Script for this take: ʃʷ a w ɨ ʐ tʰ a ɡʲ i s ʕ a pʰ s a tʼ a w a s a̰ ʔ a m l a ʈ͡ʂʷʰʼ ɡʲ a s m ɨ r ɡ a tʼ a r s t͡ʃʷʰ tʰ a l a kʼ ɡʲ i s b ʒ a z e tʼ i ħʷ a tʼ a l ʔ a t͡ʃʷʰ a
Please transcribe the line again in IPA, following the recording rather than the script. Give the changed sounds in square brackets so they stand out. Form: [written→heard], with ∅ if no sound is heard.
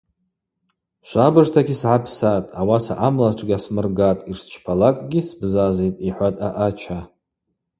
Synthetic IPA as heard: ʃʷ a [w→b] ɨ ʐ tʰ a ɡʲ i s ʕ a pʰ s a tʼ a w a s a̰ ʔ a m l a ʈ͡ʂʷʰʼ ɡʲ a s m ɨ r ɡ a tʼ [a→i] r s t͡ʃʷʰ [tʰ→pʰ] a l a kʼ ɡʲ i s b [ʒ→z] a z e tʼ i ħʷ a tʼ a [l→∅] ʔ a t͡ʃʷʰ a